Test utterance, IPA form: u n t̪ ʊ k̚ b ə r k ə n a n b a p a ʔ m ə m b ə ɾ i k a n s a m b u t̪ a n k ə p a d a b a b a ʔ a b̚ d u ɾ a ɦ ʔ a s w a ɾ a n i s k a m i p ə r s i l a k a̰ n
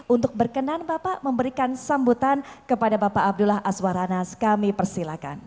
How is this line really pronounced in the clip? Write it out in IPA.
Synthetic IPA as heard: u n t̪ ʊ k̚ b ə r k ə n a n b a p a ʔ m ə m b ə ɾ i k a n s a m b u t̪ a n k ə p a d a b a p a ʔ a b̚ d u l a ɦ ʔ a s w a ɾ a n a s k a m i p ə r s i l a k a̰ n